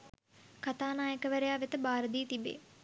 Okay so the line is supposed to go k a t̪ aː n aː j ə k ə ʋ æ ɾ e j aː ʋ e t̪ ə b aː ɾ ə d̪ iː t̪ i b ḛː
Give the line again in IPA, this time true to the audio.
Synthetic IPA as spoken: k a t̪ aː n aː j ə k ə ʋ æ ɾ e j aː ʋ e t̪ ə b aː ɾ ə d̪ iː t̪ i b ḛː